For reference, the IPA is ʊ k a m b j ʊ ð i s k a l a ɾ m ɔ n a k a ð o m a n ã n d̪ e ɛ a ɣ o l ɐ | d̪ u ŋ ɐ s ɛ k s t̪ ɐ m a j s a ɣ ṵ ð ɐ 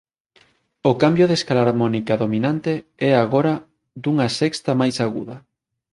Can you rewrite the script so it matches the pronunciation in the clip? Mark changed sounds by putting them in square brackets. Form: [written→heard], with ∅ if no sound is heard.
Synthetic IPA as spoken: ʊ k a m b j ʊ ð [i→e] s k a l a ɾ m ɔ n [a→i] k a ð o m [a→i] n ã n [d̪→t̪] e ɛ a ɣ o [l→ɾ] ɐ | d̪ u ŋ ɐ s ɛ k s t̪ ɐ m a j s a ɣ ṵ ð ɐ